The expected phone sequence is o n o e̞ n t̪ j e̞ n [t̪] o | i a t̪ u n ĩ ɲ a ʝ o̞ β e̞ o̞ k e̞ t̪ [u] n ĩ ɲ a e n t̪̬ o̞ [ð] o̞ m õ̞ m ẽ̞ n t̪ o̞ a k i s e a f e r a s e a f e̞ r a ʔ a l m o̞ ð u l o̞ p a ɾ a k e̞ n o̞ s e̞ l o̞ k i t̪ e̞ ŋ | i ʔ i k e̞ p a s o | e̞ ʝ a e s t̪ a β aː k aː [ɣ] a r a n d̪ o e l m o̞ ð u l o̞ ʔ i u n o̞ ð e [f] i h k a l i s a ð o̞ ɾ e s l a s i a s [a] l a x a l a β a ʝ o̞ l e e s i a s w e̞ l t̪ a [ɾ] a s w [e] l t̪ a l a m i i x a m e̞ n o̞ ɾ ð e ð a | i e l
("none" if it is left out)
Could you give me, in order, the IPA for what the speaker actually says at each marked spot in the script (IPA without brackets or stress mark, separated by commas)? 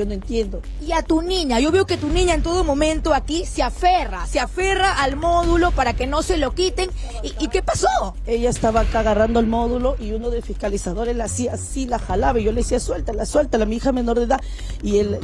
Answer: d̪, u, ð, ɣ, f, i, l, e